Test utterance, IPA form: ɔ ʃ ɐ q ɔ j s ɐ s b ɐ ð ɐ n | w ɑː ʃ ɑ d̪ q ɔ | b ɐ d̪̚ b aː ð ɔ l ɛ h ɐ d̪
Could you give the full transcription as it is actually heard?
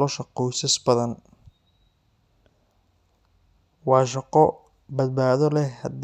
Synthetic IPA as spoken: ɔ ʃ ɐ q ɔ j s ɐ s b ɐ ð ɐ n | w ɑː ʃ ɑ q ɔ | b ɐ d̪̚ b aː ð ɔ l ɛ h ɐ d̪